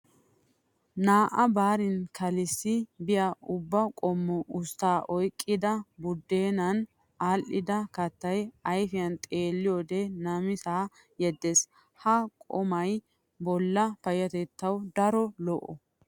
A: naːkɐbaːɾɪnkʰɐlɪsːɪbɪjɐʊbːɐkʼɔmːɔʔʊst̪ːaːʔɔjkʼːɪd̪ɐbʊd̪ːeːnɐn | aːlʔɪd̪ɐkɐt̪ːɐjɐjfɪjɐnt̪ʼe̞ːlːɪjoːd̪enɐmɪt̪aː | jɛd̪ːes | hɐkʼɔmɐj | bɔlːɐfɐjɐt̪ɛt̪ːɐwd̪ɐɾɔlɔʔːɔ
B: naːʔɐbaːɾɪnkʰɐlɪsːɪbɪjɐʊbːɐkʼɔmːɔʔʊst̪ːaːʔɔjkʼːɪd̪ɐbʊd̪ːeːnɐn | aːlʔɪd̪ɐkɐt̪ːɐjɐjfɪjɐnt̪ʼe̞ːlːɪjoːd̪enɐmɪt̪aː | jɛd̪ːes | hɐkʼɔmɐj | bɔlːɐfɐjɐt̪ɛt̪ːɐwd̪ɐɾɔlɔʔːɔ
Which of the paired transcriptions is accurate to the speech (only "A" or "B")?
B